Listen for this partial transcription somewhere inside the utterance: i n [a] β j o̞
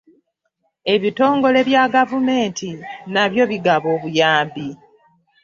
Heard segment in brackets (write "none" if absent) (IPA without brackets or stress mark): a